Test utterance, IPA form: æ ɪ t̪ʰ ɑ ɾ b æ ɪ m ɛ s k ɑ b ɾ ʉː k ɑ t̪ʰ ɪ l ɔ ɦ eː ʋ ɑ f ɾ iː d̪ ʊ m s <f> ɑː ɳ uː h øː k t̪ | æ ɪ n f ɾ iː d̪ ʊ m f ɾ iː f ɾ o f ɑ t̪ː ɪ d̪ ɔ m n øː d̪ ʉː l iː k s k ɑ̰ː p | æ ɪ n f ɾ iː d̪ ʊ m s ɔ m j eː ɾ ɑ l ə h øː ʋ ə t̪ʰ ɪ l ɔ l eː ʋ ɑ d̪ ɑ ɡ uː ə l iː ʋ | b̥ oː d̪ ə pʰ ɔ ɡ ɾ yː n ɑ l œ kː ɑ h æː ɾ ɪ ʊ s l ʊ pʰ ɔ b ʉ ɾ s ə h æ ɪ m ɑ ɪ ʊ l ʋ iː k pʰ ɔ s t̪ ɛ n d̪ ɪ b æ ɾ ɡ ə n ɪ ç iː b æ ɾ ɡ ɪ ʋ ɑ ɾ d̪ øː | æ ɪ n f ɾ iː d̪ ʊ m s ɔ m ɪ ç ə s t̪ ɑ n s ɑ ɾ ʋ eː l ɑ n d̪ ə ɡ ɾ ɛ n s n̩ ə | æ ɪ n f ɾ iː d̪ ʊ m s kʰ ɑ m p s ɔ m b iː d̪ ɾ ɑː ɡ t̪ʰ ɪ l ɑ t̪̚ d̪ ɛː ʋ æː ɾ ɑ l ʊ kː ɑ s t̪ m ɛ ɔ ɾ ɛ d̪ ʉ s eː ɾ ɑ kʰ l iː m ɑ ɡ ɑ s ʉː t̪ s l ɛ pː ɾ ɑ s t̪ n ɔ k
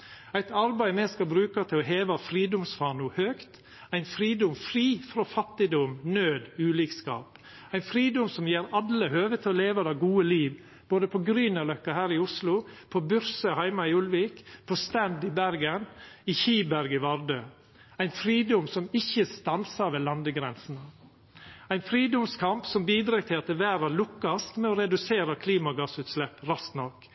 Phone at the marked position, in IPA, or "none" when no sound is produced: f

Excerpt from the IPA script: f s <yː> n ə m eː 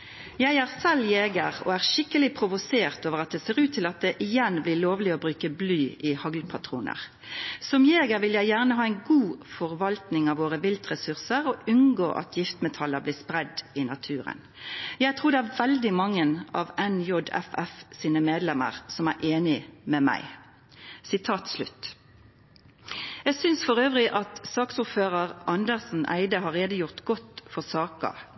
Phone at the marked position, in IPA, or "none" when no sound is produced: iː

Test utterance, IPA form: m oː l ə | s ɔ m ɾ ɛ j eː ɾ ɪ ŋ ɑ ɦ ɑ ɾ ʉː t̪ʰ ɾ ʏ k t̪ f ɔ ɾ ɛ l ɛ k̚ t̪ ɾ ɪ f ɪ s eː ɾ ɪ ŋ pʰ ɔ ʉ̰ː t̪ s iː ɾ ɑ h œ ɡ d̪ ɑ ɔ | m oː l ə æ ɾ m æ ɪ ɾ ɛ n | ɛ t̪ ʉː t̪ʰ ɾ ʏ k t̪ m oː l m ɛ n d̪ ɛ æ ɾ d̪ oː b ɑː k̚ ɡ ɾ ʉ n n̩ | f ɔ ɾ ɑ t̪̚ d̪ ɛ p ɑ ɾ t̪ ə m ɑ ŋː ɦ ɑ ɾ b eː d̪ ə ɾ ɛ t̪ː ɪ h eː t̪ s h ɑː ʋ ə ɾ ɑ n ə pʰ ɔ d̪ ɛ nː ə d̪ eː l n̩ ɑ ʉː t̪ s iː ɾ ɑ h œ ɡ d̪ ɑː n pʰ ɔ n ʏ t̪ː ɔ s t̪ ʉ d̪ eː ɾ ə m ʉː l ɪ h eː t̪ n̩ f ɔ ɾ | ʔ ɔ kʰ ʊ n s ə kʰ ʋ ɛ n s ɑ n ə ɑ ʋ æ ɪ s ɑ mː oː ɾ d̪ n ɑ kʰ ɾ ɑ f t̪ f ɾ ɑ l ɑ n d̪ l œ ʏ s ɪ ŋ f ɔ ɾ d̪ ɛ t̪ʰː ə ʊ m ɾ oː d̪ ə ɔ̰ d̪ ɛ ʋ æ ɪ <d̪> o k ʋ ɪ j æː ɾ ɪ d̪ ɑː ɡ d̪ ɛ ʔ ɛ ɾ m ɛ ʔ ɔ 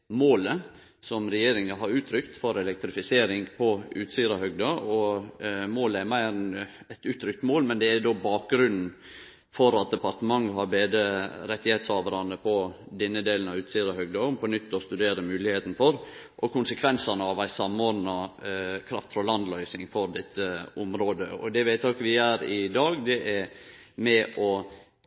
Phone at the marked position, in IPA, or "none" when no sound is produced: t̪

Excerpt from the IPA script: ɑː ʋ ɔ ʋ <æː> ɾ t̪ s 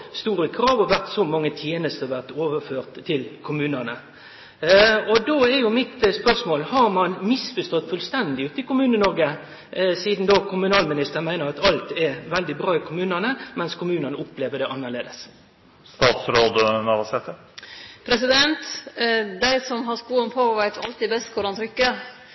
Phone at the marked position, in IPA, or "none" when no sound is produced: æ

